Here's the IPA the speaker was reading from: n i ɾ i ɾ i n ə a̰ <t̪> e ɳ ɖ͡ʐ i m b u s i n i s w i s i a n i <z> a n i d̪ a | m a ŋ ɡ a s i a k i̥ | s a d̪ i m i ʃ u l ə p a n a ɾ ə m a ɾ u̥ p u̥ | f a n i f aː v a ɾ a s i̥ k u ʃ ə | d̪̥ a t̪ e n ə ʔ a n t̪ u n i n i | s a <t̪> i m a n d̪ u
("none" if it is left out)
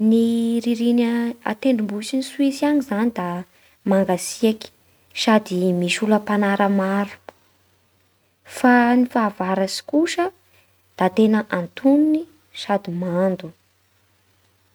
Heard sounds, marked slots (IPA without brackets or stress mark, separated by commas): t̪, z, d̪